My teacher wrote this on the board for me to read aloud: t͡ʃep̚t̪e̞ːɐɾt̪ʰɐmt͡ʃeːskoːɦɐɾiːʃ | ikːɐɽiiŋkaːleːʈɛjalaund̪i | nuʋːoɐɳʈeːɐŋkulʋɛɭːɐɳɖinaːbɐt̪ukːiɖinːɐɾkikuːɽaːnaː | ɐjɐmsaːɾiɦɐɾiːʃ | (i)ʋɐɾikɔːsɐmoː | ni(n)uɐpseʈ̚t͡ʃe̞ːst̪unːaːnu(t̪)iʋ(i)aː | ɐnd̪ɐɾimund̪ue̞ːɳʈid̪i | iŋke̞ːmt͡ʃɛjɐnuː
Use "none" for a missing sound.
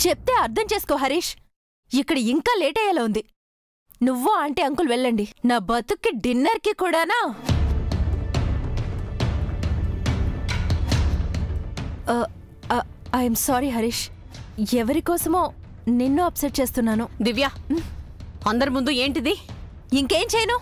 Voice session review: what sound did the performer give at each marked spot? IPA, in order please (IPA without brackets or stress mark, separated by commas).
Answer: ɛ, nː, d̪, j